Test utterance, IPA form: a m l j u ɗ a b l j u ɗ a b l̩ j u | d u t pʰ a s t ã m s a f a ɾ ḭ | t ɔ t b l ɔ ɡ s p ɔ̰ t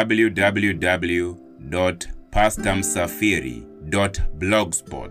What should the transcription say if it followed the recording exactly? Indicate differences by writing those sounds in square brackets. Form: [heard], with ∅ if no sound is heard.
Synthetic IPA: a [b] l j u [d] a b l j u [d] a b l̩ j u | d [ɔ] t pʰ a s t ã m s a f [i] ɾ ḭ | [d] ɔ t b l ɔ ɡ s p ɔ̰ t